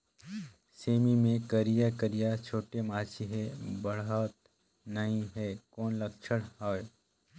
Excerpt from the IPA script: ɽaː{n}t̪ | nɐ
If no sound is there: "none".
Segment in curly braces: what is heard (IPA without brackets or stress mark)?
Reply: none